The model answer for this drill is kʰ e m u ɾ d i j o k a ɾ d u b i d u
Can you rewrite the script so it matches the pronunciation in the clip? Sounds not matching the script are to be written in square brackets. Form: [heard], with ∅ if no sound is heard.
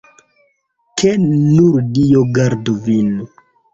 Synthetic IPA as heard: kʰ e [n] u ɾ d i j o [ɡ] a ɾ d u [v] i [n] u